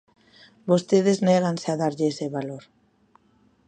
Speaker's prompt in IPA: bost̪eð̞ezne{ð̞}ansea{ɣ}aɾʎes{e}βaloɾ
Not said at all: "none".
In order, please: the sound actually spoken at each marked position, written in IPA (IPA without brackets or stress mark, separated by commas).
ɣ̞, ð, e